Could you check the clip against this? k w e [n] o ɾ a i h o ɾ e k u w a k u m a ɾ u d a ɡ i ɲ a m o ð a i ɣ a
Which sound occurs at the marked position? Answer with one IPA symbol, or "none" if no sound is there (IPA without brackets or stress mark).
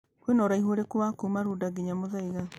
n